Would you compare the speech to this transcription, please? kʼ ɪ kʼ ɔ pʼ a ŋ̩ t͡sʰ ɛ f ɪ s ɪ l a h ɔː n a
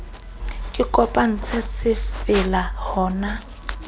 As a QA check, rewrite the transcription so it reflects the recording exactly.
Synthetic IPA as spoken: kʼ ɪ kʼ ɔ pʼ a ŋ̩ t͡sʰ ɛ s ɪ f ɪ l a h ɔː n a